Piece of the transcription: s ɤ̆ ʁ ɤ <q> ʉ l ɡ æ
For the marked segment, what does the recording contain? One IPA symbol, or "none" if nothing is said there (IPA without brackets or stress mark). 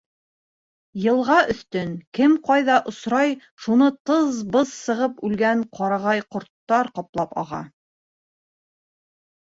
p